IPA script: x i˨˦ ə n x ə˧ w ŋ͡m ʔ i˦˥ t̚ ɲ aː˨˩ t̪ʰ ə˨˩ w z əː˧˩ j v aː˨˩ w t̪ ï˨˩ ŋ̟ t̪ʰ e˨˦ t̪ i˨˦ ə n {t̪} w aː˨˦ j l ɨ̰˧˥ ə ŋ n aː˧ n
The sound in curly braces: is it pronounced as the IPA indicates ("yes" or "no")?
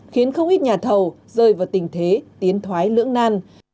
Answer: no